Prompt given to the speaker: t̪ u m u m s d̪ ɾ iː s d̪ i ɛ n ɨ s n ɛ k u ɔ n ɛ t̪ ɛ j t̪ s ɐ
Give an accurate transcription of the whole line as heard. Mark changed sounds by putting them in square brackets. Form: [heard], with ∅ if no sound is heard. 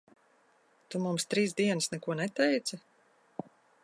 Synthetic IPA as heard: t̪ u m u m s [t̪] ɾ iː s d̪ i ɛ n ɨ s n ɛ k u ɔ n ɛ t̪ ɛ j t̪ s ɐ